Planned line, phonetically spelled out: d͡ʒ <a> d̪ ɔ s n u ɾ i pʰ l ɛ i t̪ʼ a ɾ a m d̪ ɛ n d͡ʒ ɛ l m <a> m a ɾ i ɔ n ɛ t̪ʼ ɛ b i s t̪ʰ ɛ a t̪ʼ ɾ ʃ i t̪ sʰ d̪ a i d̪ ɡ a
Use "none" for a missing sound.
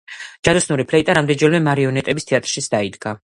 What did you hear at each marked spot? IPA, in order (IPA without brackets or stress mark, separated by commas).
a, ɛ